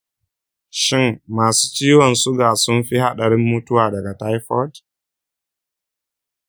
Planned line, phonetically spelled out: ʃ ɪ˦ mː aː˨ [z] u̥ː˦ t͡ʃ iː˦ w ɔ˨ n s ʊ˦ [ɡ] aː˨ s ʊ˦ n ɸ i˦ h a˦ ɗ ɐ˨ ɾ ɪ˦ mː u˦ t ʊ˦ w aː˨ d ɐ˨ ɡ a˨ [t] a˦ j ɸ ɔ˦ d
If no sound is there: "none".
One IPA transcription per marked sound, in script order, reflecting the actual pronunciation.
s, ɡ, t

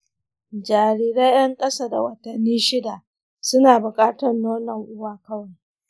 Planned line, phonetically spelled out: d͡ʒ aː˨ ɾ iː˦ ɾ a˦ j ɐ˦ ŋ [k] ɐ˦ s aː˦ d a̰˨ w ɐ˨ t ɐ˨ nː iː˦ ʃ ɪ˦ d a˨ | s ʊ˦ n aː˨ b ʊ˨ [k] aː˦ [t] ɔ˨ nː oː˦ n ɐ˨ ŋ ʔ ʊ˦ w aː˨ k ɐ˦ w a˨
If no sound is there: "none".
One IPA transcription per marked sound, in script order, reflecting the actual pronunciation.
kʼ, kʼ, t

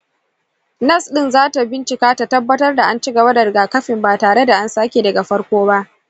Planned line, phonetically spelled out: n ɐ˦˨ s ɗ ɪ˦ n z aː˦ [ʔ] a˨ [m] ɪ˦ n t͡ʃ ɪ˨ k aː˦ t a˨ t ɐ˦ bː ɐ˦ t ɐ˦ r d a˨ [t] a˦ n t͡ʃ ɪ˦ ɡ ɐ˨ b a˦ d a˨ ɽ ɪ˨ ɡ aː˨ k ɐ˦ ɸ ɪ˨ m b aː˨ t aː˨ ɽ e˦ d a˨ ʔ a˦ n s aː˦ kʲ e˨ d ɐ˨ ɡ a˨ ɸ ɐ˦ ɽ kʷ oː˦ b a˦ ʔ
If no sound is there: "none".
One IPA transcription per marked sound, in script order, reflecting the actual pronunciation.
t, b, ʔ

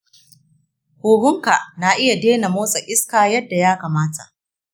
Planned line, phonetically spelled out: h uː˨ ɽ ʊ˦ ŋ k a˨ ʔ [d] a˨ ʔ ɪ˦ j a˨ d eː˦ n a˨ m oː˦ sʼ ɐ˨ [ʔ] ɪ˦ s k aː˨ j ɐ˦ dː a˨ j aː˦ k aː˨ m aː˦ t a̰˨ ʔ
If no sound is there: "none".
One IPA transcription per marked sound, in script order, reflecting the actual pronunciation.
n, ʔ

